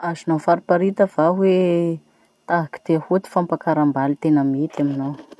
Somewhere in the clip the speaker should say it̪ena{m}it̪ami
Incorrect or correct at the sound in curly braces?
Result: correct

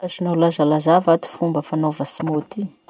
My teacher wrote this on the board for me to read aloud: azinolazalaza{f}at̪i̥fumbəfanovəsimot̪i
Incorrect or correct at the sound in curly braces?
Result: incorrect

